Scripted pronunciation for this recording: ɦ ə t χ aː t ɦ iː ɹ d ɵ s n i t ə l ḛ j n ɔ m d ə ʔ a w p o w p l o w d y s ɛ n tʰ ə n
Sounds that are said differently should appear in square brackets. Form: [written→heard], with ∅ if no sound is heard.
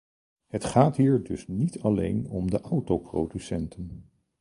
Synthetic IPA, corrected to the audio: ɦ ə t χ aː t ɦ iː ɹ d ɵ s n i t [ə→ɑ] l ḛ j n ɔ m d ə ʔ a w [p→t] o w p [l→r] o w d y s ɛ n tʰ ə n